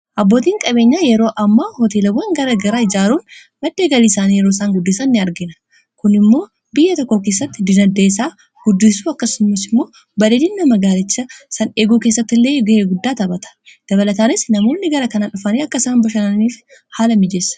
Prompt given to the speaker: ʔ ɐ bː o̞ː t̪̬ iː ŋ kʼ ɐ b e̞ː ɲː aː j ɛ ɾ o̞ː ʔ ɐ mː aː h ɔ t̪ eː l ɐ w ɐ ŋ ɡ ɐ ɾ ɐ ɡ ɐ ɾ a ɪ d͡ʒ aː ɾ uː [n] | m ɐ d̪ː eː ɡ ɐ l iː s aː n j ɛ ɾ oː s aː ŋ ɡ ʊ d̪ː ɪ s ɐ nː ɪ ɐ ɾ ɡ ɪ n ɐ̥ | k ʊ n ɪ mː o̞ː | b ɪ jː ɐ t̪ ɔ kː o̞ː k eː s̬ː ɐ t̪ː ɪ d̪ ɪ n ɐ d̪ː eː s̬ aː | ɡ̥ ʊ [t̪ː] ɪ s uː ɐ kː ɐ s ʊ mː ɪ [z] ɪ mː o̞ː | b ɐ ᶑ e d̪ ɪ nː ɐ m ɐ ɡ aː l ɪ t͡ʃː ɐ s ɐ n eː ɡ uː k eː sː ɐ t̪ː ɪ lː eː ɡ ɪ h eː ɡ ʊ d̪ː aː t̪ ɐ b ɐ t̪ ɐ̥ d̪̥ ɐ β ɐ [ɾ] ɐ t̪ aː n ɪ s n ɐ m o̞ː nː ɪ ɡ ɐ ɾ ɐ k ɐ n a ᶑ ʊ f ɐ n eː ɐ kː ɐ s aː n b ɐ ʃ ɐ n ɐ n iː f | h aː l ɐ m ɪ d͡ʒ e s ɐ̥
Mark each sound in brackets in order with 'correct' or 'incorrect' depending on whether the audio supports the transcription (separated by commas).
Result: correct, incorrect, incorrect, incorrect